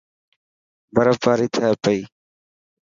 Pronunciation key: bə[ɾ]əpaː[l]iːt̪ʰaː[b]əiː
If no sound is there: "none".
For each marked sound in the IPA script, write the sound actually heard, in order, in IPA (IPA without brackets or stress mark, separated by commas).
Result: ɾ, ɾ, p